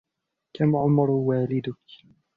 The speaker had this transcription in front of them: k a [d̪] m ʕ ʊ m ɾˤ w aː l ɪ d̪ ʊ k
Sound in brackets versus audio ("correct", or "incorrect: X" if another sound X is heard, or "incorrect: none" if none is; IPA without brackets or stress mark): incorrect: none